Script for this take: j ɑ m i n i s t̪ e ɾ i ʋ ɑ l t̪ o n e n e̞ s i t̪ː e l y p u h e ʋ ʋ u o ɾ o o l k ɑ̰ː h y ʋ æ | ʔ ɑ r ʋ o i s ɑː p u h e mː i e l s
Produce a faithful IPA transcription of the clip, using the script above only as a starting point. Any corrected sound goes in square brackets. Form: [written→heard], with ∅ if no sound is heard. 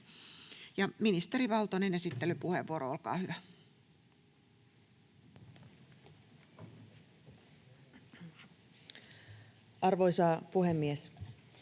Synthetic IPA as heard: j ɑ m i n i s t̪ e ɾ i ʋ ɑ l t̪ o n e n e̞ s i t̪ː e l y p u h e ʋ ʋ u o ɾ o o l k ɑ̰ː h y ʋ æ | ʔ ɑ r ʋ o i s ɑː p u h e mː i e [l→∅] s